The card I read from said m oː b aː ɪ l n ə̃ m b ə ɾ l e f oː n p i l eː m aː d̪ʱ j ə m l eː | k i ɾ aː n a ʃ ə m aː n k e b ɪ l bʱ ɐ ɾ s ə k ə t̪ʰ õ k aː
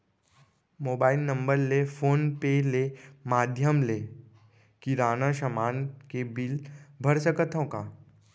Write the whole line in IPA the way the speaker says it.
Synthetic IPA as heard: m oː b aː ɪ l n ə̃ m b ə ɾ l e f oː n p e l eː m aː d̪ʱ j ə m l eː | k i ɾ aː n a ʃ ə m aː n k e b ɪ l bʱ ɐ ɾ s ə k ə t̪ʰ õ k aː